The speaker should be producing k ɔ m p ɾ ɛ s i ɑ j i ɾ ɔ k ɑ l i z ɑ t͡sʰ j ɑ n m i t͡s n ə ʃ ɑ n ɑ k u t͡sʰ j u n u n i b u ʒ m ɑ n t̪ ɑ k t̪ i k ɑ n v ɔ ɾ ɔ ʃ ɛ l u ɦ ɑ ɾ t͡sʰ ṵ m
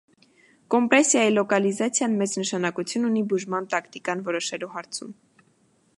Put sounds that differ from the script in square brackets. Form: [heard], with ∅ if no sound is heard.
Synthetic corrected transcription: k ɔ m p ɾ ɛ s [j] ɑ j i [l] ɔ k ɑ l i z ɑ t͡sʰ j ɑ n m [ɛ] t͡s n ə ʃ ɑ n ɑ k u t͡sʰ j u n u n i b u ʒ m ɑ n t̪ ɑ k t̪ i k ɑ n v ɔ ɾ ɔ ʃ ɛ l u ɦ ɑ ɾ t͡sʰ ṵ m